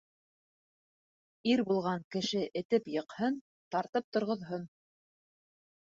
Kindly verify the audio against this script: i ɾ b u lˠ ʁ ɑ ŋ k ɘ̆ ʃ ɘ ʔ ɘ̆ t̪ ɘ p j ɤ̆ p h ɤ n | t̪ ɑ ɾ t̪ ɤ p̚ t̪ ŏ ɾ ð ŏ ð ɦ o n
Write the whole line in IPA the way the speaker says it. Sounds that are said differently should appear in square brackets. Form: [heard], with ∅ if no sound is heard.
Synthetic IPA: i ɾ b u lˠ ʁ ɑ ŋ k ɘ̆ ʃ ɘ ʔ ɘ̆ t̪ ɘ p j ɤ̆ [q] h ɤ n | t̪ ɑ ɾ t̪ ɤ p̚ t̪ ŏ ɾ [ʁ] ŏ ð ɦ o n